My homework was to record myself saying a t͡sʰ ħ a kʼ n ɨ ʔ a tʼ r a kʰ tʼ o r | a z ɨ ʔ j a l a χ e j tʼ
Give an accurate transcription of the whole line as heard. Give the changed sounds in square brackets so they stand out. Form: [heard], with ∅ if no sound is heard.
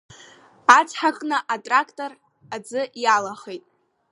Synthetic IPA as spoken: a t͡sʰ ħ a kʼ n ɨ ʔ a tʼ r a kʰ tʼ o r | a [d͡z] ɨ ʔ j a l a χ e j tʼ